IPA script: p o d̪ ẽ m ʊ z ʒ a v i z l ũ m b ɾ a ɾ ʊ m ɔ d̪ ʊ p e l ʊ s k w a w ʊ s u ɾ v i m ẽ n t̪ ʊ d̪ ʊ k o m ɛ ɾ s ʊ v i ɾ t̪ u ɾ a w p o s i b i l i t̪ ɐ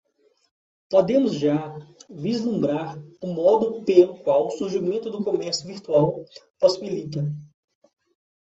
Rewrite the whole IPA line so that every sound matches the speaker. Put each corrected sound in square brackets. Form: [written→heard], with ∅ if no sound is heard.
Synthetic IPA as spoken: p o d̪ ẽ m ʊ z ʒ a v i z l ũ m b ɾ a ɾ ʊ m ɔ d̪ ʊ p e l ʊ [s→∅] k w a w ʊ s u ɾ [v→ʒ] i m ẽ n t̪ ʊ d̪ ʊ k o m ɛ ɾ s ʊ v i ɾ t̪ u [ɾ→∅] a w p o s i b i l i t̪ ɐ